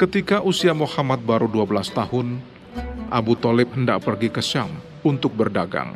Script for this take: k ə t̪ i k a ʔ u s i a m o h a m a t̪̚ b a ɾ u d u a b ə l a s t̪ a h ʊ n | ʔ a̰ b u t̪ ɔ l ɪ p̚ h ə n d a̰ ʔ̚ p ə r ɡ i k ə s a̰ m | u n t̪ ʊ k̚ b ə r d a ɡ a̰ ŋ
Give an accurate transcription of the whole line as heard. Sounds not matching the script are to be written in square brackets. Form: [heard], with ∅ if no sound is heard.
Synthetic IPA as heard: k ə t̪ i k a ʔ u s i a m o h a m a t̪̚ b a ɾ u d u a b ə l a s t̪ a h ʊ n | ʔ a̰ b u t̪ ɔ l ɪ p̚ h ə n d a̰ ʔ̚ p ə r ɡ i k ə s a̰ m | u n t̪ ʊ k̚ b ə r d a ɡ a̰ ŋ